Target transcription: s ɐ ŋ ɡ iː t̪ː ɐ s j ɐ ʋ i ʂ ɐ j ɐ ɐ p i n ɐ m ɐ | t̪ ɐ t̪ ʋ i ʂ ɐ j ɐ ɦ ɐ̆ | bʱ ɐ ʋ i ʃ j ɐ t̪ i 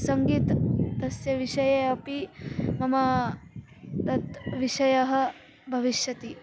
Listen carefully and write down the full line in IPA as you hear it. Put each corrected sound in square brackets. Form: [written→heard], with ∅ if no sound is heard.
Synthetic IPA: s ɐ ŋ ɡ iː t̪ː ɐ s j ɐ ʋ i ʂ ɐ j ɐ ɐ p i [n→m] ɐ m ɐ | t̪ ɐ t̪ ʋ i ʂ ɐ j ɐ ɦ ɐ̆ | bʱ ɐ ʋ i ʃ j ɐ t̪ i